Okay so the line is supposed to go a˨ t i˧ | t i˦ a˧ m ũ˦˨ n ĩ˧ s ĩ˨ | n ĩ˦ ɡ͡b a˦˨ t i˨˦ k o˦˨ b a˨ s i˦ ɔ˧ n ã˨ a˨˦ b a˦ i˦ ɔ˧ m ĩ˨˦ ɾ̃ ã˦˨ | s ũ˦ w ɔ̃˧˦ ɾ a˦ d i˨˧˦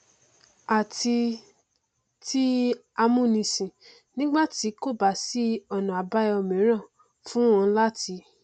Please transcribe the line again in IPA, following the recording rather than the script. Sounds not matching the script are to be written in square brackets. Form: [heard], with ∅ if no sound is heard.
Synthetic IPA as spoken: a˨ t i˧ | t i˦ a˧ m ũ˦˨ n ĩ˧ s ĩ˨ | n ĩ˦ ɡ͡b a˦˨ t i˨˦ k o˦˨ b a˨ s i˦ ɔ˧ n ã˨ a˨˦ b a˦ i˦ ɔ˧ m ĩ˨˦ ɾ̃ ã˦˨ | [f] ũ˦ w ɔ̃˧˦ [l] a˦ [t] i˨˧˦